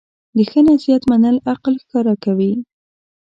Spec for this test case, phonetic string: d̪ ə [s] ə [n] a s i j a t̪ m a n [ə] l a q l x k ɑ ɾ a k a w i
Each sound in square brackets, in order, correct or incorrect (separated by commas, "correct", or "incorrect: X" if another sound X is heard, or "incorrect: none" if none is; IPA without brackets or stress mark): incorrect: x, correct, correct